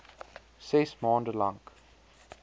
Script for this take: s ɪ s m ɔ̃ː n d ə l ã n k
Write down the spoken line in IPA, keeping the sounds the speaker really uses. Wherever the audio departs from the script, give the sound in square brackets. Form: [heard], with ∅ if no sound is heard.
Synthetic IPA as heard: s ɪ s m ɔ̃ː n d ə l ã [ŋ] k